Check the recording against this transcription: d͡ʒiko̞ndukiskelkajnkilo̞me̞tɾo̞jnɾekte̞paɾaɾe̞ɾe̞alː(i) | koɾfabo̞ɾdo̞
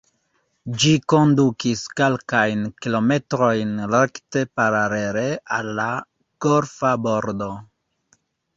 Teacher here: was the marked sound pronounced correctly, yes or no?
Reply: no